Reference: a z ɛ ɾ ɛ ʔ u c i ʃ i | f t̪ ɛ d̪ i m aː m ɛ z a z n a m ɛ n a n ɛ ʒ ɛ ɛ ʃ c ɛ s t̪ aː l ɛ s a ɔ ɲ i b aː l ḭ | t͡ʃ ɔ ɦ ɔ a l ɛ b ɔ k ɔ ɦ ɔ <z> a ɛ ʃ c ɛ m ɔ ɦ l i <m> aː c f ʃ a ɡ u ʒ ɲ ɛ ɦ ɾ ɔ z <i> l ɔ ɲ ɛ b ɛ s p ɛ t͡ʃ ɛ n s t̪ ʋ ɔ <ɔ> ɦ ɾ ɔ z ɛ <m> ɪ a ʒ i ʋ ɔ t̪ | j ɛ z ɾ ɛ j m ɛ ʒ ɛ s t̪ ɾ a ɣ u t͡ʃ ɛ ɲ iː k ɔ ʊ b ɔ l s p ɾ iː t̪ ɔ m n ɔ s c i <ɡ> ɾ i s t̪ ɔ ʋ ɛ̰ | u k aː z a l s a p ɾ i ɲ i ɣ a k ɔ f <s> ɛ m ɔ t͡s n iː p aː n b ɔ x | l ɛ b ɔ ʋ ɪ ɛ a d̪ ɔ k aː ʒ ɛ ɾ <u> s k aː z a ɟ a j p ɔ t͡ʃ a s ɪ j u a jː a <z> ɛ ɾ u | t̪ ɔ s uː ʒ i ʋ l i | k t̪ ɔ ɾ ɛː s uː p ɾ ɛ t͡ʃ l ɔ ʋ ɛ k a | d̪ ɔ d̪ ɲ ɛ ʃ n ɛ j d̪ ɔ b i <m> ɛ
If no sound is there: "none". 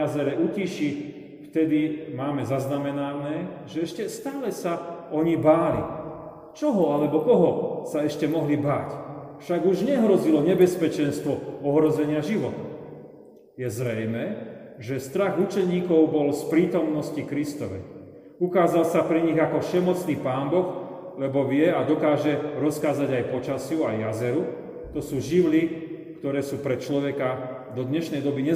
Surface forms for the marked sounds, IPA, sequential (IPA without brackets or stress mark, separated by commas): s, b, i, ɔ, ɲ, k, ʃ, ɔ, z, ɲ